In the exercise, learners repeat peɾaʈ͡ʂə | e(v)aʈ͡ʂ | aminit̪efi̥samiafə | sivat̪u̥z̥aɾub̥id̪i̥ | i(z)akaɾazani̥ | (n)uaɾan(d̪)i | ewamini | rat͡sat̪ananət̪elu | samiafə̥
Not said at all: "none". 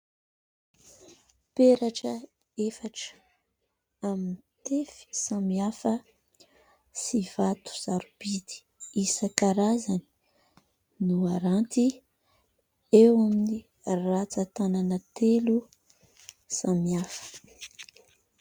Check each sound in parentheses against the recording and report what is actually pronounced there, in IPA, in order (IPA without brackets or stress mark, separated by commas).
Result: f, s, n, t̪